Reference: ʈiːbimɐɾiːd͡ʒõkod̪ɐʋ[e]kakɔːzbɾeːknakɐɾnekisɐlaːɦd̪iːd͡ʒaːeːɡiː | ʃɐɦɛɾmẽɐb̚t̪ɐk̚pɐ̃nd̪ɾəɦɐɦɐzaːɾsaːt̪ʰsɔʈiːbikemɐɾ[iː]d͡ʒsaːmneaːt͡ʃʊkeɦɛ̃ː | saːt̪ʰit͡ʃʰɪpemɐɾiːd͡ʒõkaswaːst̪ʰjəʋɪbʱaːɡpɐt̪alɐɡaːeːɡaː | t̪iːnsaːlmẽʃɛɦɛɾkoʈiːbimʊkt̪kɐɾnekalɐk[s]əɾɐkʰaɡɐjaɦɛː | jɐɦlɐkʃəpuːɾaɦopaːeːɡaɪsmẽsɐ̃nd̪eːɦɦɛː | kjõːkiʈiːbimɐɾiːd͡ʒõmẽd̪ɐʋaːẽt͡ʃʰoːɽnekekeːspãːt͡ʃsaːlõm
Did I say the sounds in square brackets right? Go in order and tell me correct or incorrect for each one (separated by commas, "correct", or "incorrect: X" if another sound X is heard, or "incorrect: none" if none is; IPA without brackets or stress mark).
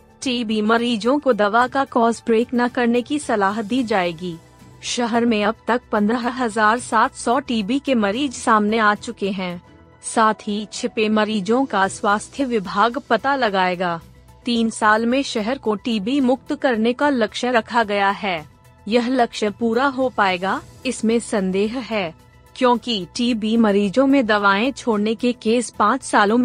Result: incorrect: a, correct, incorrect: ʃ